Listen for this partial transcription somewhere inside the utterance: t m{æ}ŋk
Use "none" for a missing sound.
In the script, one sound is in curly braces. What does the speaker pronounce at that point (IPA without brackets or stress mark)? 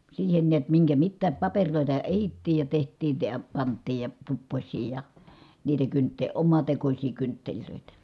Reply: i